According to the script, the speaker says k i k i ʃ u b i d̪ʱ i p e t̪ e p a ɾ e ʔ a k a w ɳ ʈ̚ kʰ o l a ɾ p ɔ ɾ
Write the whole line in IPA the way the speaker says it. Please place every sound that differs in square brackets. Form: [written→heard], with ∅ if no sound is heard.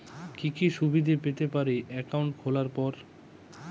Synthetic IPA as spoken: k i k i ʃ u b i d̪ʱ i p e t̪ e p a ɾ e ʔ [a→ɛ] k a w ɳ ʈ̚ kʰ o l a ɾ p ɔ ɾ